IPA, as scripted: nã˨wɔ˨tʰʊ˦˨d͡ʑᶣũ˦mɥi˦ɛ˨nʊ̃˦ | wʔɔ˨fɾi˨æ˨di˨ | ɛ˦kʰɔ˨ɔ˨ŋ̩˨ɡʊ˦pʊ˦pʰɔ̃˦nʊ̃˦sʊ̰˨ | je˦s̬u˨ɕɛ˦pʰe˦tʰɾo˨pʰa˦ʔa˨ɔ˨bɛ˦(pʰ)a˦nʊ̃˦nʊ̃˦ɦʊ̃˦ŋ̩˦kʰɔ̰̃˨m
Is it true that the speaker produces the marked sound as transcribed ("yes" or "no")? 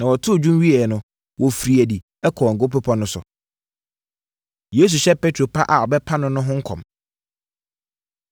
yes